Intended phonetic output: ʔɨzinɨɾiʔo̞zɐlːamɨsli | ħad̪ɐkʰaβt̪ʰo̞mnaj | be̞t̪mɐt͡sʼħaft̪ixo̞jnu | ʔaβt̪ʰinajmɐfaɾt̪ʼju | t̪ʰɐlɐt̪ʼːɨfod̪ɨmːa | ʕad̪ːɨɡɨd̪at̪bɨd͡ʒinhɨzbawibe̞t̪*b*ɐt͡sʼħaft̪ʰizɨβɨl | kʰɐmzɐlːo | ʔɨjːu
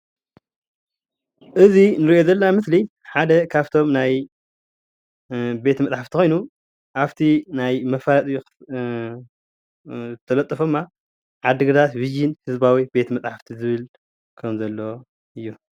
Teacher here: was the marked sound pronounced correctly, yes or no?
no